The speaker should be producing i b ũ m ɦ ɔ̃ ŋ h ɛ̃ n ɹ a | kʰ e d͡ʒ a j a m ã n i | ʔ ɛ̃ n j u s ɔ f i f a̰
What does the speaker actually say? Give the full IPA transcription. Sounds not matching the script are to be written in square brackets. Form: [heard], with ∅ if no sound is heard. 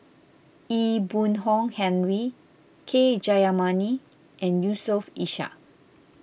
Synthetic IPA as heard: i b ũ [n] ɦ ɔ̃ ŋ h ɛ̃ n ɹ [i] | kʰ e d͡ʒ a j a m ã n i | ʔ ɛ̃ n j u s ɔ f i [ʃ] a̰

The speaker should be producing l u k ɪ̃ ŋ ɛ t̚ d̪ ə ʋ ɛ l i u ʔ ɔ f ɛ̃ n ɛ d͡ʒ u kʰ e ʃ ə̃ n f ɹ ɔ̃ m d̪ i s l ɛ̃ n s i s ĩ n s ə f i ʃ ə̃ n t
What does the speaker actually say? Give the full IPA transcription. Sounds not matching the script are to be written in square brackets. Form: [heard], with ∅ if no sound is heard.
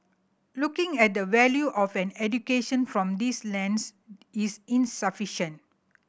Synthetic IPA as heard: l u k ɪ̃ ŋ ɛ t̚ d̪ ə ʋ ɛ l [j] u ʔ ɔ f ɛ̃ n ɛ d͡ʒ u [k] e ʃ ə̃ n f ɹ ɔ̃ m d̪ i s l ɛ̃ n s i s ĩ n s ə f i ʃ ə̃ n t

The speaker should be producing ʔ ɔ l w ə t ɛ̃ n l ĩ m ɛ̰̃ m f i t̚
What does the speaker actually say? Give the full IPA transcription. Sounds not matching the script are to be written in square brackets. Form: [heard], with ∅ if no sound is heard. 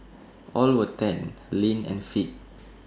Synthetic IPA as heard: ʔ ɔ l w ə t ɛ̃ n l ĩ [n] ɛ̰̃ [n] f i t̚

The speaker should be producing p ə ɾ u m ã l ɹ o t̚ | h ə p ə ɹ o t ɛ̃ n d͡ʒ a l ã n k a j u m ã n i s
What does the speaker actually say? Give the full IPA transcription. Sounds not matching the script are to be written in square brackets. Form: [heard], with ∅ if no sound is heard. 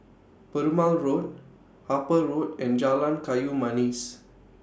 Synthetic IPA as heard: p ə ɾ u m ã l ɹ o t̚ | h [a] p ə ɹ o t ɛ̃ n d͡ʒ a l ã n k a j u m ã n i s

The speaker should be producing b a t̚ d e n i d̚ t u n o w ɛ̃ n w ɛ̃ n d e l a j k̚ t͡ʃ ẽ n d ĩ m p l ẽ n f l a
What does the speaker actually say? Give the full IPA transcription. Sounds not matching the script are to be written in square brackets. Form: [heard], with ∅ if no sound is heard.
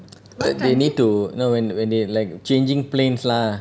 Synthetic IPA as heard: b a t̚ d e n i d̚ t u n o w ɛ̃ n w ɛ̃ n d e l a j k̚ t͡ʃ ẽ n [d͡ʒ] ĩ [ŋ] p l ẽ n [s] l a

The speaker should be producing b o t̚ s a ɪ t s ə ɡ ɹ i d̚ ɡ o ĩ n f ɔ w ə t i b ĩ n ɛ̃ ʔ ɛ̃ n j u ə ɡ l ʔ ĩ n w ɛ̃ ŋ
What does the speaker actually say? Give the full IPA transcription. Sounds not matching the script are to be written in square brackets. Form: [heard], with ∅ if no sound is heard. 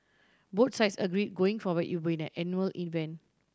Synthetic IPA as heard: b o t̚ s a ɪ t s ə ɡ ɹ i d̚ ɡ o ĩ [ŋ] f ɔ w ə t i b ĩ n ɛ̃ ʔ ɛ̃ n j u ə [∅] l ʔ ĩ n [v] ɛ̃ [n]

